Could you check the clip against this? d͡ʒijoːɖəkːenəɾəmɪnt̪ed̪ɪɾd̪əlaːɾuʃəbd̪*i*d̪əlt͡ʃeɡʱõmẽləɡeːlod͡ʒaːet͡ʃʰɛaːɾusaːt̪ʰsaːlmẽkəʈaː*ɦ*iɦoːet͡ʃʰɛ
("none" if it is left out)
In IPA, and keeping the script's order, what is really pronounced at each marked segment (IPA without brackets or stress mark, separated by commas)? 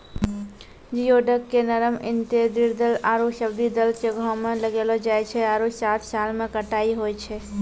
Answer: i, none